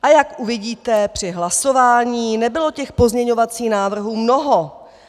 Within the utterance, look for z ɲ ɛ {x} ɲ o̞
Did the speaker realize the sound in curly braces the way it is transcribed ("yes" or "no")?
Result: no